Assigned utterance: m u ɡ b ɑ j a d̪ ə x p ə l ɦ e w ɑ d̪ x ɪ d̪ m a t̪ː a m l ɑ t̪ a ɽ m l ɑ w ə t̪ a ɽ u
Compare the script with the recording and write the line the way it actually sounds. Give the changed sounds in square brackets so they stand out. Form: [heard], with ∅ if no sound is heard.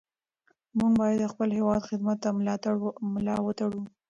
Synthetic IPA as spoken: m u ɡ b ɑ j a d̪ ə x p ə l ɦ e w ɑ d̪ x ɪ d̪ m a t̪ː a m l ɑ t̪ a ɽ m l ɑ w ə t̪ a ɽ u